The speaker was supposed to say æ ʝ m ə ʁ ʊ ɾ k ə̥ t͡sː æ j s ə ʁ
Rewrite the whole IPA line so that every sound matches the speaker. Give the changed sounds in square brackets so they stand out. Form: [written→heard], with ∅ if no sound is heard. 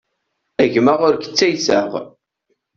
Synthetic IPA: æ ʝ m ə ʁ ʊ ɾ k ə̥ t͡sː æ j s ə ʁ